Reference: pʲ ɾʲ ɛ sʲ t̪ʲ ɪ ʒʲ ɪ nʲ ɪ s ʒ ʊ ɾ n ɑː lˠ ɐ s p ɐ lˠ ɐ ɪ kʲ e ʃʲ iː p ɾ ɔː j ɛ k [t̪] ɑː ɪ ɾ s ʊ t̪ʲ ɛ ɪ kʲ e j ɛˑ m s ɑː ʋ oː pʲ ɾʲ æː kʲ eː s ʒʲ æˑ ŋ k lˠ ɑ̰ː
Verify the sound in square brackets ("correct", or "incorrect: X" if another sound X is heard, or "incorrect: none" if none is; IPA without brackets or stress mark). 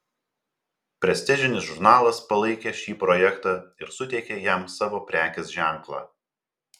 correct